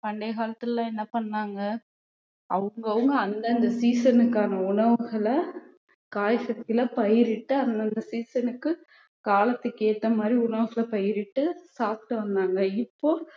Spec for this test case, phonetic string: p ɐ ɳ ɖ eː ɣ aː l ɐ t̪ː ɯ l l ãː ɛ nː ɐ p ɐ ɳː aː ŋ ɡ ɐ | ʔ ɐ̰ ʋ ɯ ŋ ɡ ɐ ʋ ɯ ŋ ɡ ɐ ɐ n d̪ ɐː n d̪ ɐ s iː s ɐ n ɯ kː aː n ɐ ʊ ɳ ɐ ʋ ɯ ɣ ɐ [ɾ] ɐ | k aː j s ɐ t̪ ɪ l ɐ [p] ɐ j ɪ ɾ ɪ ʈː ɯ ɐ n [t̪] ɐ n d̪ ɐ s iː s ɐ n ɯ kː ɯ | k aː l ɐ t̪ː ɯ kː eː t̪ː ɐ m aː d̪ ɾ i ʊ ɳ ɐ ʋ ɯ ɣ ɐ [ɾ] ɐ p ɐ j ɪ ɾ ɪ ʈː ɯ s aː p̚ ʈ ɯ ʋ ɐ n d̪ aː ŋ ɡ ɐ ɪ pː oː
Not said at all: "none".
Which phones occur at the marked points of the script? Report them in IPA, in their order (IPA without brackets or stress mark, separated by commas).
ɭ, p, d̪, ɭ